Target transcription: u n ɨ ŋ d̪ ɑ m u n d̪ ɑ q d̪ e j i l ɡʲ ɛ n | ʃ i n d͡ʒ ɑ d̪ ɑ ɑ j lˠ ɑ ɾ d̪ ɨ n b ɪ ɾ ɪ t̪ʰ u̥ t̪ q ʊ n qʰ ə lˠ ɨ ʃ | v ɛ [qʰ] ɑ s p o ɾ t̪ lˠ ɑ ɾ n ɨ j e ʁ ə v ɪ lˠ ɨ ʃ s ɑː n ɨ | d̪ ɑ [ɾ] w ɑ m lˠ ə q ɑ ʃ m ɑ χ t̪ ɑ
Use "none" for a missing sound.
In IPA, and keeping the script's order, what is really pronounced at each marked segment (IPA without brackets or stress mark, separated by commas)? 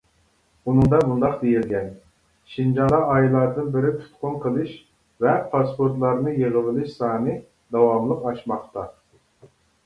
pʰ, none